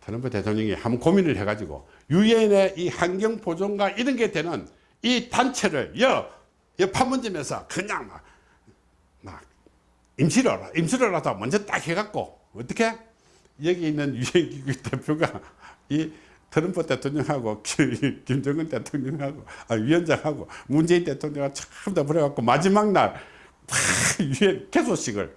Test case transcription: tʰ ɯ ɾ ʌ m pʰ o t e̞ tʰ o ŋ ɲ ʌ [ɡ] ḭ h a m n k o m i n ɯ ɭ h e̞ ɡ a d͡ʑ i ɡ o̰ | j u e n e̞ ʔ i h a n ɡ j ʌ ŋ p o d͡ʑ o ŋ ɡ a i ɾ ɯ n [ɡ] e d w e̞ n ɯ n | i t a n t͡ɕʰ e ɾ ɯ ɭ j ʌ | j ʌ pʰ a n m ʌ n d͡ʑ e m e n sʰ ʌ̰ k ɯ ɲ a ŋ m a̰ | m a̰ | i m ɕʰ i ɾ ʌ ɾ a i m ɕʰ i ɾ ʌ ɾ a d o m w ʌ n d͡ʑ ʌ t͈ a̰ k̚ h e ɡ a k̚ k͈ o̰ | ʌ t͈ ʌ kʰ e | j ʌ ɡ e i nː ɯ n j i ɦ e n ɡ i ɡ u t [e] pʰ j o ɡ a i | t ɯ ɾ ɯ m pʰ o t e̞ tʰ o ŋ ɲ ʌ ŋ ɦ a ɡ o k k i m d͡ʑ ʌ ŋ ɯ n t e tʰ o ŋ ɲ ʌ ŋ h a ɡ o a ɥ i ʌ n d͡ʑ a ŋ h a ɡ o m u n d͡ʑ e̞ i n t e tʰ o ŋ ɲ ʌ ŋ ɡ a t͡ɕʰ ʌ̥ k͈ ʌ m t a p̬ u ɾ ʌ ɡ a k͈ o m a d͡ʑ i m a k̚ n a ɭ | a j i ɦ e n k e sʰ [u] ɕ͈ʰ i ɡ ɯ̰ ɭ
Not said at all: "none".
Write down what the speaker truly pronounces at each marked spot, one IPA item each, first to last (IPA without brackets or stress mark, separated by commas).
ŋ, ɡ, e, o